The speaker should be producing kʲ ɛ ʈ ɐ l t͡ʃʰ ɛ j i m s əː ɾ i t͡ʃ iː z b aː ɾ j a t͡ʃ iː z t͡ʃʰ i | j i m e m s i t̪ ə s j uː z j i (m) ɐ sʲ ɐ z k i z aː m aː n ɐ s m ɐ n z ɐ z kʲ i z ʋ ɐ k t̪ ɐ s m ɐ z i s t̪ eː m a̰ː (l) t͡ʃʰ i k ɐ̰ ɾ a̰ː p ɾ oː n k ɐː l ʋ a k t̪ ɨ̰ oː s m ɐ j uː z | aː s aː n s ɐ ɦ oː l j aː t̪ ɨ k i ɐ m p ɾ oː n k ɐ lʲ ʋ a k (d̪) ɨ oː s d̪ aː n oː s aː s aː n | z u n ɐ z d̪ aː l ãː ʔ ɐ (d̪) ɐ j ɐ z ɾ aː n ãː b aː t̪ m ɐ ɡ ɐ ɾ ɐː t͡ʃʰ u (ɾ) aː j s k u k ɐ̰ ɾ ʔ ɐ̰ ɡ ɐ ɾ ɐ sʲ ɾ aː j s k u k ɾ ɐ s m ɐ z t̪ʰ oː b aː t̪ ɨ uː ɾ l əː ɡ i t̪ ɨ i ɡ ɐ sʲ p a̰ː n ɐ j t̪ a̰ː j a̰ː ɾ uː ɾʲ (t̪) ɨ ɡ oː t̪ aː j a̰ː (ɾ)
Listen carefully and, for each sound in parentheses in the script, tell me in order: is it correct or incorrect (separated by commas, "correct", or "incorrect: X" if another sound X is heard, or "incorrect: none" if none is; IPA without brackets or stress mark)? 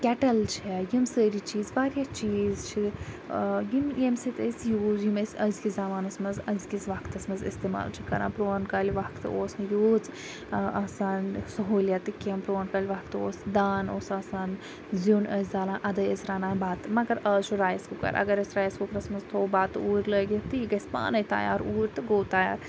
correct, correct, incorrect: t̪, correct, correct, correct, correct